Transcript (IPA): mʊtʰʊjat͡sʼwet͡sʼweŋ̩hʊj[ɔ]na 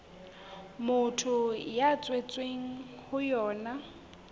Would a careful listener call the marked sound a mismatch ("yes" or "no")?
yes